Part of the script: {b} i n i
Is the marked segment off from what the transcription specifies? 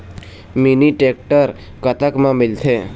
yes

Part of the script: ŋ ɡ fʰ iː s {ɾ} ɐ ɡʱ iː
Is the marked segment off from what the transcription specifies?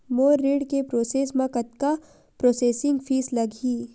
yes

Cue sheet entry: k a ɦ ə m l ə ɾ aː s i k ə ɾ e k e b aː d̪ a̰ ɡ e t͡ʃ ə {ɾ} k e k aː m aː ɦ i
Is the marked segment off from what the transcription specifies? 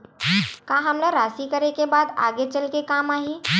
yes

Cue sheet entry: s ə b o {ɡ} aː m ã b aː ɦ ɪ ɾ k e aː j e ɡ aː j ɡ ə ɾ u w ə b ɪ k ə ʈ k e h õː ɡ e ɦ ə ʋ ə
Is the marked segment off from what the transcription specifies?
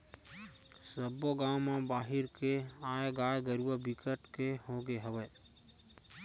no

